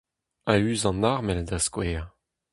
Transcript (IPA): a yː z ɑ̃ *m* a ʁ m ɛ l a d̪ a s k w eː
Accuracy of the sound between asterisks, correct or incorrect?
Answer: incorrect